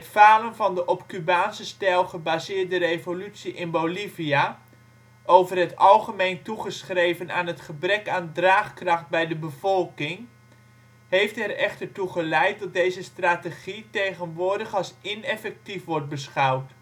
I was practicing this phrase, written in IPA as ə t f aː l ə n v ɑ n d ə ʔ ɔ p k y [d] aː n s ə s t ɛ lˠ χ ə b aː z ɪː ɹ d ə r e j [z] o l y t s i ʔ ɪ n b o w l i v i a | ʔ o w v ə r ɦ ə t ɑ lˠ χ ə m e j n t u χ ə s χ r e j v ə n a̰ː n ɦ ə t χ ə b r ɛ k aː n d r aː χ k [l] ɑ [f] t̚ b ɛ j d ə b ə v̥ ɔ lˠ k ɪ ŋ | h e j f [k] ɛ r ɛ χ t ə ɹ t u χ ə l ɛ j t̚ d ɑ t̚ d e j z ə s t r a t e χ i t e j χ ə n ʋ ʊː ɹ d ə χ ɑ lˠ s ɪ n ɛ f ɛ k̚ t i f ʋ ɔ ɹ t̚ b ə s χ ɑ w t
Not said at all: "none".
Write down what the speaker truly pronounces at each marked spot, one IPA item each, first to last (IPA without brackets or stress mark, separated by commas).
b, v, r, χ, t